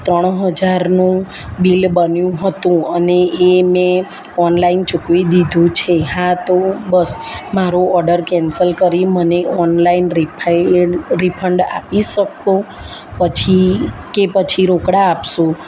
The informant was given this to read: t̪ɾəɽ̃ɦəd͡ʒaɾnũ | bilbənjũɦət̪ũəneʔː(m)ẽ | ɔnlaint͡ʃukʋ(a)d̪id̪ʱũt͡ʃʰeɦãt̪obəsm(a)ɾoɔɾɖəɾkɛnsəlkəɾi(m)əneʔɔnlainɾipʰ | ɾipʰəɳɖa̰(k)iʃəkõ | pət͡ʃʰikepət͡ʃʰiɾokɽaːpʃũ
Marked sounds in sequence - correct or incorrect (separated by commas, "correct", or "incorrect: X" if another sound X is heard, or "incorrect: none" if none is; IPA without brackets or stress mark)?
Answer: correct, incorrect: i, correct, correct, incorrect: p